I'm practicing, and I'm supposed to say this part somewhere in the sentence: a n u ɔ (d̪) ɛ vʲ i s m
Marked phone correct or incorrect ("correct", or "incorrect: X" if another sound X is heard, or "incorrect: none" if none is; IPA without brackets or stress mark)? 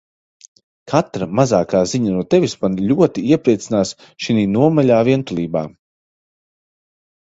incorrect: t̪